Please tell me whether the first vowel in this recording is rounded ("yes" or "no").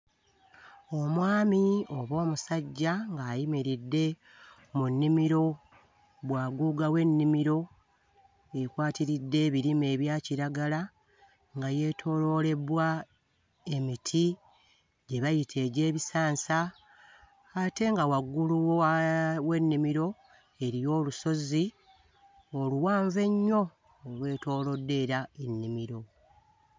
yes